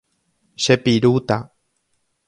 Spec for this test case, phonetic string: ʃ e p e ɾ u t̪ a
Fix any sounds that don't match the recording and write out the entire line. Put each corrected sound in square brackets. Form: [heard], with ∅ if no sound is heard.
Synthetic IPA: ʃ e p [i] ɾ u t̪ a